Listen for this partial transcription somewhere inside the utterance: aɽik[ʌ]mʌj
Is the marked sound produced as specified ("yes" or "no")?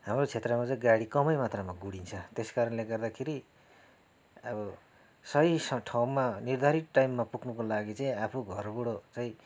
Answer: yes